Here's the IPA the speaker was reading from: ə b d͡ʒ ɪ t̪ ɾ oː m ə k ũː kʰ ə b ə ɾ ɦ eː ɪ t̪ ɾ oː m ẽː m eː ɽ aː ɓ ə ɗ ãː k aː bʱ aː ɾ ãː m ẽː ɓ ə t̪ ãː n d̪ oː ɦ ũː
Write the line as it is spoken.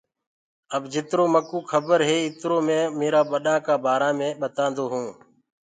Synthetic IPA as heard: ə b d͡ʒ ɪ t̪ ɾ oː m ə k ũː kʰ ə b ə ɾ ɦ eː ɪ t̪ ɾ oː m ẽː m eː ɾ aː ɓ ə ɗ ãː k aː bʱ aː ɾ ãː m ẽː ɓ ə t̪ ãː n d̪ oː ɦ ũː